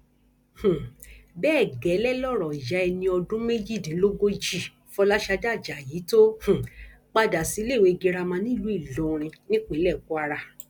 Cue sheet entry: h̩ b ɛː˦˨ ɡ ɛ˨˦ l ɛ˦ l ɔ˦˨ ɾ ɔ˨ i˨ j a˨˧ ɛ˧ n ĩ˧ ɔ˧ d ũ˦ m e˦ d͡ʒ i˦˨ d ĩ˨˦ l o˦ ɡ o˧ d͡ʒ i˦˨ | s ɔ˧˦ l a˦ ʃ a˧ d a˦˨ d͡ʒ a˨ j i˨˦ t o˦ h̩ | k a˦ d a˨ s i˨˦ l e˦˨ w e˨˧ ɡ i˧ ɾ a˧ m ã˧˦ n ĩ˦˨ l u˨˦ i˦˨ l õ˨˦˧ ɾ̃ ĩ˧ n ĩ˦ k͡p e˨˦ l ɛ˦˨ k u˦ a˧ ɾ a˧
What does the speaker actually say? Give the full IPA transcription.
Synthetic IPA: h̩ b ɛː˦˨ ɡ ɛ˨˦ l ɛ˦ l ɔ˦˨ ɾ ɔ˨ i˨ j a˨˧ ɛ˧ n ĩ˧ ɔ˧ d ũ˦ m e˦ d͡ʒ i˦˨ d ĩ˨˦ l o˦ ɡ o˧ d͡ʒ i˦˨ | f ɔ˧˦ l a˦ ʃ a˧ d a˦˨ d͡ʒ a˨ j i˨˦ t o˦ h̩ | k͡p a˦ d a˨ s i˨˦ l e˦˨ w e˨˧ ɡ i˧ ɾ a˧ m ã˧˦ n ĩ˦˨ l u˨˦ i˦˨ l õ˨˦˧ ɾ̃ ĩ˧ n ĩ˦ k͡p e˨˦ l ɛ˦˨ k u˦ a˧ ɾ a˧